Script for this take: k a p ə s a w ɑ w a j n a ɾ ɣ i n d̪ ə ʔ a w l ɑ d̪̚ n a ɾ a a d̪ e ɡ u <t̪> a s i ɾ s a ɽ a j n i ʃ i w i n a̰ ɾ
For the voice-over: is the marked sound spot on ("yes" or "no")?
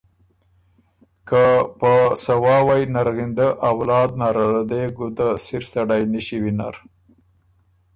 no